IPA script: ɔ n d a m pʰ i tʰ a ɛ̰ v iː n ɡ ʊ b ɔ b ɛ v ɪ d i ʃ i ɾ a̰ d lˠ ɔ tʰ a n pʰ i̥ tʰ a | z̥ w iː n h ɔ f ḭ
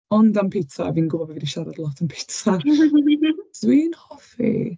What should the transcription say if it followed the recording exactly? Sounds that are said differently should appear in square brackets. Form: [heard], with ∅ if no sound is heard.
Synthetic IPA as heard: ɔ n d a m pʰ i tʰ a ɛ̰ v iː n ɡ ʊ b ɔ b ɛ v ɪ d i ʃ [a] ɾ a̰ d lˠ ɔ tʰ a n pʰ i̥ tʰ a | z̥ w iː n h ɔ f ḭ